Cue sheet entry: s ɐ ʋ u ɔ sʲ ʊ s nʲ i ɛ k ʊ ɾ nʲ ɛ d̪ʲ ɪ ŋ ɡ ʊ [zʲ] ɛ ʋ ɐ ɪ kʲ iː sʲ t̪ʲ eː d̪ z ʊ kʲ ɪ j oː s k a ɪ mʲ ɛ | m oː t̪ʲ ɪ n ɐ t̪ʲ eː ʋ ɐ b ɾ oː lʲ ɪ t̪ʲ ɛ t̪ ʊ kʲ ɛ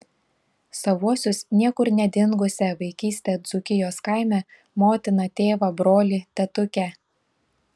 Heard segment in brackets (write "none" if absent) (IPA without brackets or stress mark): sʲ